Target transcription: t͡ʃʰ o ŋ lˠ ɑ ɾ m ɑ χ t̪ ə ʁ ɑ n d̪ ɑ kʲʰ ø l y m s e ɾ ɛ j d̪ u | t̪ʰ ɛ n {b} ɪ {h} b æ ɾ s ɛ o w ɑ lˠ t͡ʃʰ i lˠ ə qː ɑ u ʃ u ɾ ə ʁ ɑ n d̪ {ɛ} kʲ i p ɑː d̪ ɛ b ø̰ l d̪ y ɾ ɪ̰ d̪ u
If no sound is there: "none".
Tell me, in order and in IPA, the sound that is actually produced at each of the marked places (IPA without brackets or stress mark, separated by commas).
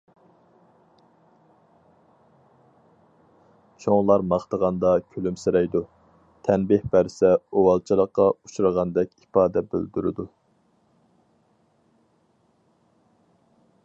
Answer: b, h, ɛ